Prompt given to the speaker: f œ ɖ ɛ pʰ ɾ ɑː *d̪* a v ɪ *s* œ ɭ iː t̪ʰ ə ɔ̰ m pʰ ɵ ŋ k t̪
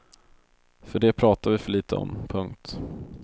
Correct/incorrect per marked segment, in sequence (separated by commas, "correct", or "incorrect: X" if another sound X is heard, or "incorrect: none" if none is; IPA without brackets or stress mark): incorrect: t̪, incorrect: f